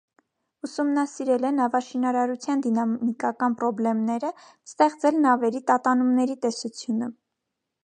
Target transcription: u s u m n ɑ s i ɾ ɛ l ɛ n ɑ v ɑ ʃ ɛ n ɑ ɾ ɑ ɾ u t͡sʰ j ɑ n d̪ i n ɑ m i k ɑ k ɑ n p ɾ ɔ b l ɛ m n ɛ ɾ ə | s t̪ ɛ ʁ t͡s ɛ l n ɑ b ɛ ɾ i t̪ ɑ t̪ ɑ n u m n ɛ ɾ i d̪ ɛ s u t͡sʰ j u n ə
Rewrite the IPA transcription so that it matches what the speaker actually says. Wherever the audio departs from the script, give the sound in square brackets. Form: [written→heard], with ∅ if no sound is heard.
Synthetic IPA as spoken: u s u m n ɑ s i ɾ ɛ l ɛ n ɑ v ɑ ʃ [ɛ→i] n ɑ ɾ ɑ ɾ u t͡sʰ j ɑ n d̪ i n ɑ m i k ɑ k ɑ n p ɾ ɔ b l ɛ m n ɛ ɾ ə | s t̪ ɛ [ʁ→χ] t͡s ɛ l n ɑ [b→v] ɛ ɾ i t̪ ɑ t̪ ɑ n u m n ɛ ɾ i [d̪→t̪] ɛ s u t͡sʰ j u n ə

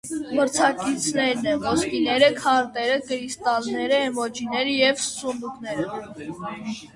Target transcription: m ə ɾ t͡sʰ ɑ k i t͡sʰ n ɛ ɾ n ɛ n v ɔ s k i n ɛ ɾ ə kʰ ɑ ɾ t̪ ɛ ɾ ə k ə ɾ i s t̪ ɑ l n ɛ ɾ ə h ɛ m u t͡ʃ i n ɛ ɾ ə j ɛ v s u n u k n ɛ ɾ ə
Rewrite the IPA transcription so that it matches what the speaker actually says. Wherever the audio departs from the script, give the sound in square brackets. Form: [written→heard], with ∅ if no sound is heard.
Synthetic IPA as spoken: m ə ɾ t͡sʰ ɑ k i t͡sʰ n ɛ ɾ n ɛ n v ɔ s k i n ɛ ɾ ə kʰ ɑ ɾ t̪ ɛ ɾ ə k ə ɾ i s t̪ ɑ l n ɛ ɾ ə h ɛ m [u→ɔ] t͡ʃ i n ɛ ɾ ə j ɛ v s u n u k n ɛ ɾ ə

